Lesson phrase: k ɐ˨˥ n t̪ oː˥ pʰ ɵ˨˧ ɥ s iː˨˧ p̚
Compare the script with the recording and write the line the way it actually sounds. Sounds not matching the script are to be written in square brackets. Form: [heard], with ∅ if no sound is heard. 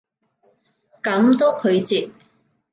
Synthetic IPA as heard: k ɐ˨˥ [m] t̪ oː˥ [kʰ] ɵ˨˧ ɥ [t͡s] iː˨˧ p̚